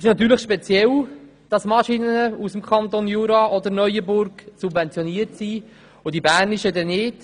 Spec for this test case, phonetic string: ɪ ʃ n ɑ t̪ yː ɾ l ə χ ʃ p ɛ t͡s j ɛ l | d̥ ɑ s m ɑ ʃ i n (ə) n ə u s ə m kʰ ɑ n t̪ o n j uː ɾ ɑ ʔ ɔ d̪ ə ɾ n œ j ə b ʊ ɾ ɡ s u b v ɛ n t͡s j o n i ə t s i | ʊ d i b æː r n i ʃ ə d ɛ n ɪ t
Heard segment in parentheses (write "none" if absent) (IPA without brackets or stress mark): ə